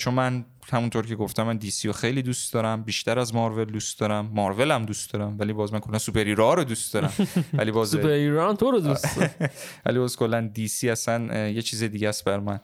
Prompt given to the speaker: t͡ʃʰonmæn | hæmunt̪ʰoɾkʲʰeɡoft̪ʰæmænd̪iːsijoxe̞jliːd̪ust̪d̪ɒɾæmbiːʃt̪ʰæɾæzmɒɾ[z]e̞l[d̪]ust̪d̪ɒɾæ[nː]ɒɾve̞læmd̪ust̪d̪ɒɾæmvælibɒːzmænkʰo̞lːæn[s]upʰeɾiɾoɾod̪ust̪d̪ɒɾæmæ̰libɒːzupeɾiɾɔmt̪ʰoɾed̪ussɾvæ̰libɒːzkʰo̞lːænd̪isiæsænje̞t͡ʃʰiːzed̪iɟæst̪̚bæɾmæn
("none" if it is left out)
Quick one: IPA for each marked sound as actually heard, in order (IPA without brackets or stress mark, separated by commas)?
v, d̪, mː, s